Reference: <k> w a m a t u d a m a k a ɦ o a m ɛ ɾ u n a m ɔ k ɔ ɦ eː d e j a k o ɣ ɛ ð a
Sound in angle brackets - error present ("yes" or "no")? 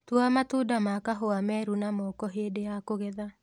yes